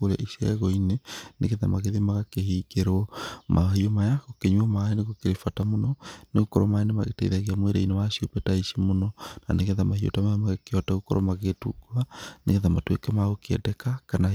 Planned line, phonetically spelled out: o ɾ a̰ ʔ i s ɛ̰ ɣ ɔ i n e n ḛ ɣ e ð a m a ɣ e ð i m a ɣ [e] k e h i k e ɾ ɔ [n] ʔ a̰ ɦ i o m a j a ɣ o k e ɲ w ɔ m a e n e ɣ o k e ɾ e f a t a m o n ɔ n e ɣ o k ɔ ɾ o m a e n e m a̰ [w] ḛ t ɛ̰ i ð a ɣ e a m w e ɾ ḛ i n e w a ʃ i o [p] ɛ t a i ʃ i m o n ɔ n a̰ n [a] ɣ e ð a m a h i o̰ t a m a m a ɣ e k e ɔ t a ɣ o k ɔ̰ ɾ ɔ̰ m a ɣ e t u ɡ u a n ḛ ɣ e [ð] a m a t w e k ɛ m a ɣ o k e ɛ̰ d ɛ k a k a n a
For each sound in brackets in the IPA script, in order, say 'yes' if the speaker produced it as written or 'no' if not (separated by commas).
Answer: no, no, no, yes, no, yes